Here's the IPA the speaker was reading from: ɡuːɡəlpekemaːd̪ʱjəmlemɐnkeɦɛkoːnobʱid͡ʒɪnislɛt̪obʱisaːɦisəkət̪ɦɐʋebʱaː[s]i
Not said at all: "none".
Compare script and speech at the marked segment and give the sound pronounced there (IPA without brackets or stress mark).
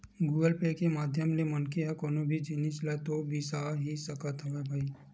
none